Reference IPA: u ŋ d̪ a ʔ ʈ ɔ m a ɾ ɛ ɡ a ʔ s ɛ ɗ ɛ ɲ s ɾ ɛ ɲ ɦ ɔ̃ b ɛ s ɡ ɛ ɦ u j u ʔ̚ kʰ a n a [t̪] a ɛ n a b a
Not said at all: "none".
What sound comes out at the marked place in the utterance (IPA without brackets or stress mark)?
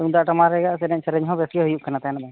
t̪